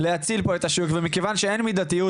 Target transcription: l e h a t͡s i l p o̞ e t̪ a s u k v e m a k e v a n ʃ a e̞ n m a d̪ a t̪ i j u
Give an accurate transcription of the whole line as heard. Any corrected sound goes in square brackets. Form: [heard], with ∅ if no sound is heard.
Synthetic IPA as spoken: l e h a t͡s i l p o̞ e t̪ a [ʃ] u k v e m [i] k e v a n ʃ [e] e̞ n m [i] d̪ a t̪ i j u